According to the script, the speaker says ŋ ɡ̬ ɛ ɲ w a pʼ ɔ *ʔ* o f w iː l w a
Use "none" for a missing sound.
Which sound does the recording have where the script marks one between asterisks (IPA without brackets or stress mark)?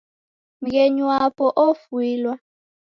ʔ